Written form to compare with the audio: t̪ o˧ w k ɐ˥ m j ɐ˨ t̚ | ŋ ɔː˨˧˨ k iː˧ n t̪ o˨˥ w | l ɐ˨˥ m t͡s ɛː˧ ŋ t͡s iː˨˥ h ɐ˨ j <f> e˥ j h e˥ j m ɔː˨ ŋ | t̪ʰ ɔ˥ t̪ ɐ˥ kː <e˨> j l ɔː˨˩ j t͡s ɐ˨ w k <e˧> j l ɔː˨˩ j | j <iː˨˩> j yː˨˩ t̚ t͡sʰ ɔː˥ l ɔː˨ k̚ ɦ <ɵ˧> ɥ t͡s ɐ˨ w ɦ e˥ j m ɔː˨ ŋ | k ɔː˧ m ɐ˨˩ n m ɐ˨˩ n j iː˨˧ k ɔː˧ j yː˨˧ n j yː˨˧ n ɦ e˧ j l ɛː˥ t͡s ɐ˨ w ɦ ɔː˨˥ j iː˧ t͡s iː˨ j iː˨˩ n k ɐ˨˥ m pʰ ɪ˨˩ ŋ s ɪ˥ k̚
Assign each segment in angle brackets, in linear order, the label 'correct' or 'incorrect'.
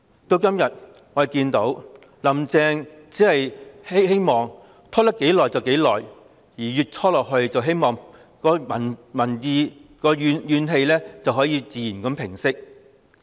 incorrect, incorrect, incorrect, correct, correct

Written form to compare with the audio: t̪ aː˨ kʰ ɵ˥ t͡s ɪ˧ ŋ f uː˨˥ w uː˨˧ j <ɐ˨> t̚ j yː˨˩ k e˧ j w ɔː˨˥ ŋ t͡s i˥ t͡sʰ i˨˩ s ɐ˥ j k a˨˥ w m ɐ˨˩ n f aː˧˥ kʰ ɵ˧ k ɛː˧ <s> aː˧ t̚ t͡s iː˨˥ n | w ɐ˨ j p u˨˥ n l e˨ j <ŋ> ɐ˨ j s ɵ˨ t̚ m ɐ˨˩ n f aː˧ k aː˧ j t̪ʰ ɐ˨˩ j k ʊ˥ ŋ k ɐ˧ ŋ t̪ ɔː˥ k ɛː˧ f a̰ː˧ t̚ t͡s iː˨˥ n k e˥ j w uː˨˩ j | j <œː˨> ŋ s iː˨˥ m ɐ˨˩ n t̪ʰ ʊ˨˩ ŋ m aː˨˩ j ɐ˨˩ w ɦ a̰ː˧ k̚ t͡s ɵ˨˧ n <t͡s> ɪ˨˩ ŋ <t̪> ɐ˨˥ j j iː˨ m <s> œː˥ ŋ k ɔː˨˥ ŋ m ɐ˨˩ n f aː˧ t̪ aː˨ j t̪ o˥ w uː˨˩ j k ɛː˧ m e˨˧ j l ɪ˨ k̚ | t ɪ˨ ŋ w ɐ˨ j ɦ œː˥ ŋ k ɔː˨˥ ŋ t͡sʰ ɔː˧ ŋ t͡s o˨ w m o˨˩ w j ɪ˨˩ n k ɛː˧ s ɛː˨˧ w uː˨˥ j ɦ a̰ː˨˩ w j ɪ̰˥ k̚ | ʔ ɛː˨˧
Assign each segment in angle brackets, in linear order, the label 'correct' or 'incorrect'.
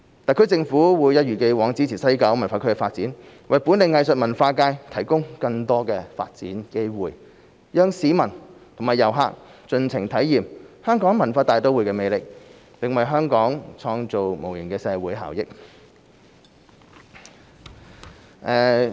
incorrect, incorrect, correct, incorrect, incorrect, incorrect, incorrect

